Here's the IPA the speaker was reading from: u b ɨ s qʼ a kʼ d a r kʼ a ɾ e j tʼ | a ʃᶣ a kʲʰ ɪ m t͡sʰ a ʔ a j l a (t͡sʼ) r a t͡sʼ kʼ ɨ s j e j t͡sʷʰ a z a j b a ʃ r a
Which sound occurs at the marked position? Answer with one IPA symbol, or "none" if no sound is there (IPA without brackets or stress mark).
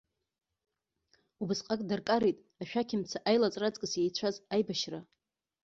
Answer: t͡sʼ